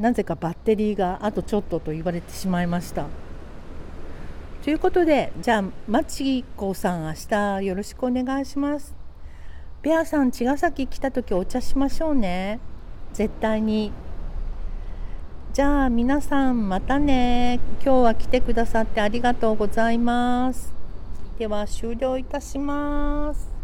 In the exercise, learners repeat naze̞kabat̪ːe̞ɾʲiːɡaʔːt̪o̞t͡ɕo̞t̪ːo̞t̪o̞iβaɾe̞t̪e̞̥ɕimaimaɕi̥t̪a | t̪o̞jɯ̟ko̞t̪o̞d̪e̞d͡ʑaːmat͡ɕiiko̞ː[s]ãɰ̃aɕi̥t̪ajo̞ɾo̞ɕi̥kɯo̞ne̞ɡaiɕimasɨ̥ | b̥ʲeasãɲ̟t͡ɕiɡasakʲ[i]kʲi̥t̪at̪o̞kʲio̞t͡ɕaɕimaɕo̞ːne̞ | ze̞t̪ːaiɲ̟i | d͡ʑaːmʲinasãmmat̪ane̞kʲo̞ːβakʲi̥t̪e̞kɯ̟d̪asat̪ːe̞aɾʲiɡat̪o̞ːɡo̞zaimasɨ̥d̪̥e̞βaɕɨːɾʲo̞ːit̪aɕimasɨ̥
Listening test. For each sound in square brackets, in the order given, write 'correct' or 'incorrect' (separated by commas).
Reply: correct, correct